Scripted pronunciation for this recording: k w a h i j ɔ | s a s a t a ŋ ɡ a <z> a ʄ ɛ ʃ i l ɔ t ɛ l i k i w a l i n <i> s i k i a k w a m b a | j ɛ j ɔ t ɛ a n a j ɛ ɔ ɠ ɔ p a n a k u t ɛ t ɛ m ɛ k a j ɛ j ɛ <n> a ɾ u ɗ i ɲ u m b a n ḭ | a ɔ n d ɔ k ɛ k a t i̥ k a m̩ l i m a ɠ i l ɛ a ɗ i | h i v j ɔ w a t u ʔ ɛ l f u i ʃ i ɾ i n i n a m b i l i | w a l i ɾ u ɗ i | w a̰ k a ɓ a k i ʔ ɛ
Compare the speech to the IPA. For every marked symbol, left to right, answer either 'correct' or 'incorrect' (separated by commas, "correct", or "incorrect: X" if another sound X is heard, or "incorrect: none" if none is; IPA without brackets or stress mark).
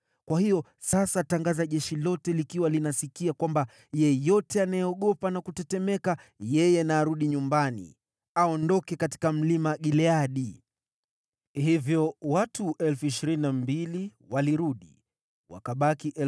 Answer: correct, incorrect: a, correct